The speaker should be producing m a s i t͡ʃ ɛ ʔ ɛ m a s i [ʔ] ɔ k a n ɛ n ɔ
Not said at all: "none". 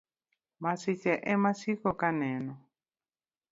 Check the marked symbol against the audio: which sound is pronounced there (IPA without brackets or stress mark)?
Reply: k